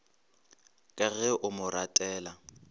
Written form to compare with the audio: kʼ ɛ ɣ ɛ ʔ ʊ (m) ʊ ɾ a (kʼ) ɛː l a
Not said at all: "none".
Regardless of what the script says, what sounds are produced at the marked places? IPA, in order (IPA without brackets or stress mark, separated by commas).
m, tʼ